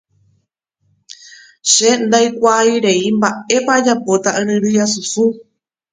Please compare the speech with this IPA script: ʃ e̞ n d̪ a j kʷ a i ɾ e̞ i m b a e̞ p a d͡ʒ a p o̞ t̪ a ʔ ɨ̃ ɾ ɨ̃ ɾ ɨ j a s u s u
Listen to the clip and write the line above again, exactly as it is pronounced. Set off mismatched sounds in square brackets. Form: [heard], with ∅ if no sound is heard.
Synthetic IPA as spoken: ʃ e̞ n d̪ a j kʷ a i ɾ e̞ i m b a e̞ p a d͡ʒ a p o̞ t̪ a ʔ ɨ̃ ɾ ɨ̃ ɾ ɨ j a s u s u